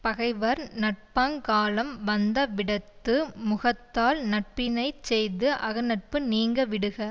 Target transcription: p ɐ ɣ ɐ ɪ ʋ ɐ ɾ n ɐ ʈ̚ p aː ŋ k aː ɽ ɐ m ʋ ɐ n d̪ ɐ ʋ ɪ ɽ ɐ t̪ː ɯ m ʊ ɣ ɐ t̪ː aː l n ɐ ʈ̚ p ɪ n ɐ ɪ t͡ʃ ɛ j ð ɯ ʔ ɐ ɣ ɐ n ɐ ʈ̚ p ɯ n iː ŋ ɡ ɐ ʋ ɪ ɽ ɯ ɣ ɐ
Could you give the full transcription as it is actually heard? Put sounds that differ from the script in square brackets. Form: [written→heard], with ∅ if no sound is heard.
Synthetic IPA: p ɐ ɣ ɐ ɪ ʋ ɐ ɾ n ɐ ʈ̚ p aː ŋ k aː [ɽ→l] ɐ m ʋ ɐ n d̪ ɐ ʋ ɪ ɽ ɐ t̪ː ɯ m ʊ ɣ ɐ t̪ː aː l n ɐ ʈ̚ p ɪ n ɐ ɪ t͡ʃ ɛ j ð ɯ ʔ ɐ ɣ ɐ n ɐ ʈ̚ p ɯ n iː ŋ ɡ ɐ ʋ ɪ ɽ ɯ ɣ ɐ